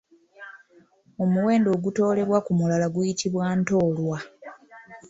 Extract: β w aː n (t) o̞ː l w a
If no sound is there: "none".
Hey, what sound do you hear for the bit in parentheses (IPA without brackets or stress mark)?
t